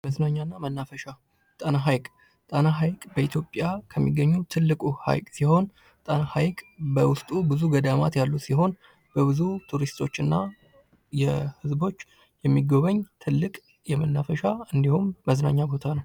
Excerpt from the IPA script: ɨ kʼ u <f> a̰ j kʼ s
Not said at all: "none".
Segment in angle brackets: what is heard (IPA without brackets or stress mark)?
h